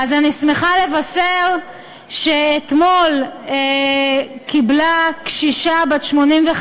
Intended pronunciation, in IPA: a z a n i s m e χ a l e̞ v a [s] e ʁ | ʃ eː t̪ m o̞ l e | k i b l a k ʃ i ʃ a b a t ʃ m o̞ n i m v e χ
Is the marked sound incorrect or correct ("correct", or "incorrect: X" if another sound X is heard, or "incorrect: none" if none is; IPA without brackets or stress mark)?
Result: correct